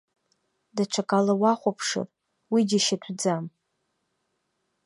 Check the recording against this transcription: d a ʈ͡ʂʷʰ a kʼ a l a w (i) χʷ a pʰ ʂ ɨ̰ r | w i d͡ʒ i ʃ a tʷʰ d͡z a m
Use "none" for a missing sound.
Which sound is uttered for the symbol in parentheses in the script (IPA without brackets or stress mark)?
a